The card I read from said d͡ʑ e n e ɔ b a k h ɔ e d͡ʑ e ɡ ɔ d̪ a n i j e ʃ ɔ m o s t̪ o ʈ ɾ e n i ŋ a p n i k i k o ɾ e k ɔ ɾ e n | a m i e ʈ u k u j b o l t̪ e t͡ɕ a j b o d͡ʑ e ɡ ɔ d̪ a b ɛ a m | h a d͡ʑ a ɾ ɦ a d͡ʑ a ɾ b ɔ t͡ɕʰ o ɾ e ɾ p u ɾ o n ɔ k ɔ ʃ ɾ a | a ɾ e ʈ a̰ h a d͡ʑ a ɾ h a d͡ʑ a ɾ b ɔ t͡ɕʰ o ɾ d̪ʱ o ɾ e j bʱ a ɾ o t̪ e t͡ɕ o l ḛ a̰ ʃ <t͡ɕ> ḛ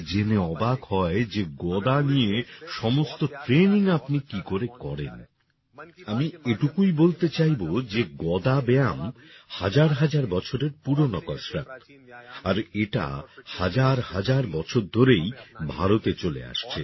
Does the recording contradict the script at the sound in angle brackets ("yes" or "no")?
yes